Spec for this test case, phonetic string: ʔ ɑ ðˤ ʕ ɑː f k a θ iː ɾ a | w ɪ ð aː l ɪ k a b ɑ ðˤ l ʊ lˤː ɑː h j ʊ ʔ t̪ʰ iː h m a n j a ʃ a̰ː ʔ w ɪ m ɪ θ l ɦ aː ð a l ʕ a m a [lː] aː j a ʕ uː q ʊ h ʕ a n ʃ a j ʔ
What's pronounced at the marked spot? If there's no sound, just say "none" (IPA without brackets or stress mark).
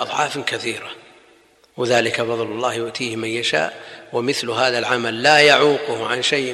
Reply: lː